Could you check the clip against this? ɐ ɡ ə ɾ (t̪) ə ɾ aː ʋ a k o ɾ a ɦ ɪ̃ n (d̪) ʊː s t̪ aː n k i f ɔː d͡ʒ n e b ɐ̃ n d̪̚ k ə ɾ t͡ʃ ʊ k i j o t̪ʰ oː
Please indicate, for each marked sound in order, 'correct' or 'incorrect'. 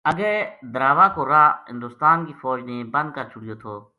incorrect, correct

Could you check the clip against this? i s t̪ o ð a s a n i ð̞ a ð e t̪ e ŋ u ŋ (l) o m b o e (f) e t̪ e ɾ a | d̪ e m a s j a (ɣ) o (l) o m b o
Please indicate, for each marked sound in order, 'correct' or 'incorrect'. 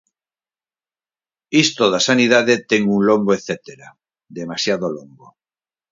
correct, incorrect, incorrect, correct

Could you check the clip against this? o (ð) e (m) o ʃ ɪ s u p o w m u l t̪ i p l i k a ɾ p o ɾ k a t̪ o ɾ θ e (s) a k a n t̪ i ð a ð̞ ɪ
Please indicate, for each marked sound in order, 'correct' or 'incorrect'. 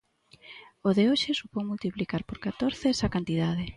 correct, incorrect, correct

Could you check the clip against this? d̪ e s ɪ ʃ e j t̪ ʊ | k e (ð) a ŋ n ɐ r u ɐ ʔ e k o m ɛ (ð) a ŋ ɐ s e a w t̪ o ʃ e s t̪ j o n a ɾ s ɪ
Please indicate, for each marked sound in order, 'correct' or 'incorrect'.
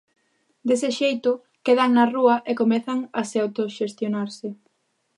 correct, incorrect

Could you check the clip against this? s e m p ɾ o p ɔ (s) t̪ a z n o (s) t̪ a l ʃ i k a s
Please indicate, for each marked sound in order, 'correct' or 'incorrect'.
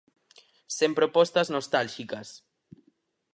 correct, correct

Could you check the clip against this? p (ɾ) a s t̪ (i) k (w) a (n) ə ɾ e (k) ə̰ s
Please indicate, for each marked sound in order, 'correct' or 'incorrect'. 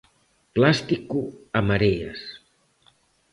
incorrect, correct, incorrect, incorrect, incorrect

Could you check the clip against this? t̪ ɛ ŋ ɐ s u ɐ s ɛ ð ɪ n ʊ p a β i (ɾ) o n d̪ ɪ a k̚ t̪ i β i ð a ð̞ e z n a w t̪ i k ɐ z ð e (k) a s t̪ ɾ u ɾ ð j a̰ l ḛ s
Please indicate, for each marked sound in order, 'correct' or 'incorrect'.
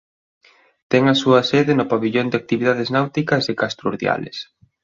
incorrect, correct

